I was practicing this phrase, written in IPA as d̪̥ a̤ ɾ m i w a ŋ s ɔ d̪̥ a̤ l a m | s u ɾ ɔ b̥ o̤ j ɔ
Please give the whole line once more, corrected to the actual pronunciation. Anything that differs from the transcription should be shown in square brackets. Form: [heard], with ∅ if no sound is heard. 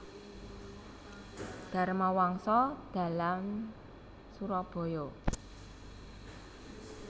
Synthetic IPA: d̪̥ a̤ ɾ m [a] w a ŋ s ɔ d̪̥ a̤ l a m | s u ɾ ɔ b̥ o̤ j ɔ